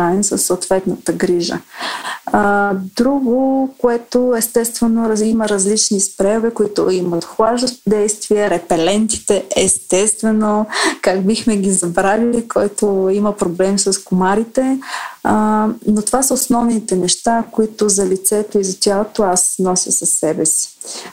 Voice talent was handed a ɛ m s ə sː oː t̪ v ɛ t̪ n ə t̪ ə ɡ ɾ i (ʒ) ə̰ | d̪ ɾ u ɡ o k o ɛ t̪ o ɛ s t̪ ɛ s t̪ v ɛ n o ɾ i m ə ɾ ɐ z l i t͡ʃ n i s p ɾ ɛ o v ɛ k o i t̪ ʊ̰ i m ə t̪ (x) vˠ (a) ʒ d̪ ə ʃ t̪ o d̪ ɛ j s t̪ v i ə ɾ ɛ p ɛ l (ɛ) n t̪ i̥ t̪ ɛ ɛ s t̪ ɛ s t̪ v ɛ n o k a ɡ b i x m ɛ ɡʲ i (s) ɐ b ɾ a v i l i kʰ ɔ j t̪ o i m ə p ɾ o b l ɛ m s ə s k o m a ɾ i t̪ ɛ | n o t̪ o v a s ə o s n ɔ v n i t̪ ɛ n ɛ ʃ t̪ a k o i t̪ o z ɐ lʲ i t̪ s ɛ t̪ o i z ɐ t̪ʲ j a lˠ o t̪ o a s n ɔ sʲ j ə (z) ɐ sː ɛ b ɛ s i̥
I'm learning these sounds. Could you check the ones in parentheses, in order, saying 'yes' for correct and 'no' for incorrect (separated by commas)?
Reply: yes, yes, yes, yes, no, no